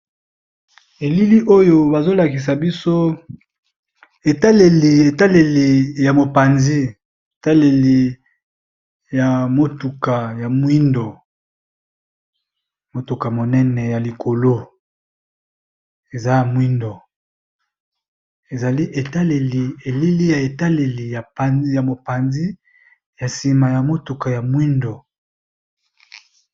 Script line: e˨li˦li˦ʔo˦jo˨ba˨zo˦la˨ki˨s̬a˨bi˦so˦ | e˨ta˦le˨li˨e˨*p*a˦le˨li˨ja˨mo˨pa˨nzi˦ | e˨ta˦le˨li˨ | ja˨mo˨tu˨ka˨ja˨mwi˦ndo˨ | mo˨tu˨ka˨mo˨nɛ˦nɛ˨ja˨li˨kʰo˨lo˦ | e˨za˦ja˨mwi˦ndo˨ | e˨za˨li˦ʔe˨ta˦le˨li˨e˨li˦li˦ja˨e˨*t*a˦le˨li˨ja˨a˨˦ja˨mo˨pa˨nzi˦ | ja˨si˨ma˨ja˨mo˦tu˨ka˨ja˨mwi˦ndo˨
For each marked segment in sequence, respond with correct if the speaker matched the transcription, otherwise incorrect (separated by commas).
incorrect, correct